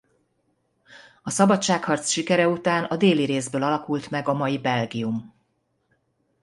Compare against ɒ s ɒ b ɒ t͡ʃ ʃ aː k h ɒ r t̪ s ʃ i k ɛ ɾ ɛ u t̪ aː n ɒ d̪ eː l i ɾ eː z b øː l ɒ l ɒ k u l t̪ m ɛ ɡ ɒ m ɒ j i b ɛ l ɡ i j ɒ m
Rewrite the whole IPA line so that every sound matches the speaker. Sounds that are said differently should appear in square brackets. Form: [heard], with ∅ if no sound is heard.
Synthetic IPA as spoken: ɒ s ɒ b ɒ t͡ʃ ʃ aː k h ɒ r t̪ s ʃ i k ɛ ɾ ɛ u t̪ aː n ɒ d̪ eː l i ɾ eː z b øː l ɒ l ɒ k u l t̪ m ɛ ɡ ɒ m ɒ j i b ɛ l ɡ i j [u] m